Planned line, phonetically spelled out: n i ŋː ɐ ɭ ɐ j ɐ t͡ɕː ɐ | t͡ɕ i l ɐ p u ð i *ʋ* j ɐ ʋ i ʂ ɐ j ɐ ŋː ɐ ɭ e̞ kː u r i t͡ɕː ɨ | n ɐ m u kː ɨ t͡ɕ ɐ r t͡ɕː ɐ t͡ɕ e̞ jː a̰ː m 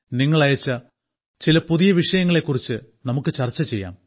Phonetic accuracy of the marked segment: incorrect: none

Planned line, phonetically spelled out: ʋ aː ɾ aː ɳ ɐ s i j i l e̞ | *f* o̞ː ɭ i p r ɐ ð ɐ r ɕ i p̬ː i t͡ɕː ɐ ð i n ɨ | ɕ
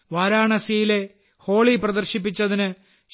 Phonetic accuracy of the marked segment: incorrect: h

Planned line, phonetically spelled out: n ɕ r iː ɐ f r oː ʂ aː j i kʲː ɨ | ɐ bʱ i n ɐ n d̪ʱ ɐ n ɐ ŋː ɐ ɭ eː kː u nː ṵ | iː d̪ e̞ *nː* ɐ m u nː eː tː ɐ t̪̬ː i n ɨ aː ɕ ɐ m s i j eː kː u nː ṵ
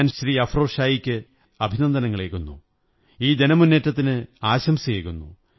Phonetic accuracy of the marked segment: incorrect: n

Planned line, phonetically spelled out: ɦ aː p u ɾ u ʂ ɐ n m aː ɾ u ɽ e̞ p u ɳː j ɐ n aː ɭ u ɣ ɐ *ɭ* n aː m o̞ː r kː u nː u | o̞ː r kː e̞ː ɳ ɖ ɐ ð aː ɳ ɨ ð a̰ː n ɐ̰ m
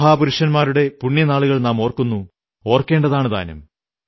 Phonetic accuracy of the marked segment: correct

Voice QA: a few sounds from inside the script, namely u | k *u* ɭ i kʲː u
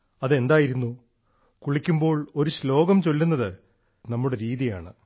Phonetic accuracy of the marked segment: correct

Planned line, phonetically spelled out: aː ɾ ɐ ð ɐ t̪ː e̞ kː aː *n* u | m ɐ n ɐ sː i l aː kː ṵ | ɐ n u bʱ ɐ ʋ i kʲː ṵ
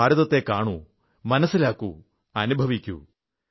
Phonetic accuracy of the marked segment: incorrect: ɳ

